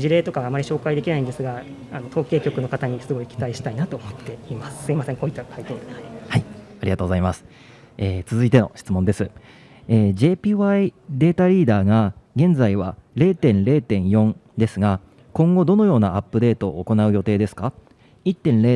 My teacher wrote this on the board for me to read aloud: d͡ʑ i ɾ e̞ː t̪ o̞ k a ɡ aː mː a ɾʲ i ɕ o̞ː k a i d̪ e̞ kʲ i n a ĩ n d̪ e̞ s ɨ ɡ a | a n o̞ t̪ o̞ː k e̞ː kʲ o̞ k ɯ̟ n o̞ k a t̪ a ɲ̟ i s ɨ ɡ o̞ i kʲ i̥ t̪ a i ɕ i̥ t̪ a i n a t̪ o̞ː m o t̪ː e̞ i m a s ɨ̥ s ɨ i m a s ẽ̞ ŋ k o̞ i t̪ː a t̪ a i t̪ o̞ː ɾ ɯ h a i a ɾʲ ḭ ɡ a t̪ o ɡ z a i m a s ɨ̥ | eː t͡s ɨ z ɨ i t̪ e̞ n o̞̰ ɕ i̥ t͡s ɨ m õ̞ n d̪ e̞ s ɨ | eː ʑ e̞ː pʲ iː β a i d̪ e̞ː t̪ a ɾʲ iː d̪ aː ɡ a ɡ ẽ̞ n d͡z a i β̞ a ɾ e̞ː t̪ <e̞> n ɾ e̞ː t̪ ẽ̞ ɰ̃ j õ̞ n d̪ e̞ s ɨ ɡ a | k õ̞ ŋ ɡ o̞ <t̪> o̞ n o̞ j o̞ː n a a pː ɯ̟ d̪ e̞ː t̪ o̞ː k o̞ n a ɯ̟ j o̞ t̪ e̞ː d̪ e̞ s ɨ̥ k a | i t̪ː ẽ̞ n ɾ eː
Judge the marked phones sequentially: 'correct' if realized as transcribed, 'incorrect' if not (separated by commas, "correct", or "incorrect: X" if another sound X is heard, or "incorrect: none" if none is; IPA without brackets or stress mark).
incorrect: ẽ̞, incorrect: d̪